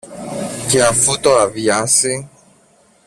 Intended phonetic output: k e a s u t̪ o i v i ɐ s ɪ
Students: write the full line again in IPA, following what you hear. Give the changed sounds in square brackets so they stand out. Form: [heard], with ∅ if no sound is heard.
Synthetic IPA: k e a [f] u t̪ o [a] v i [a] s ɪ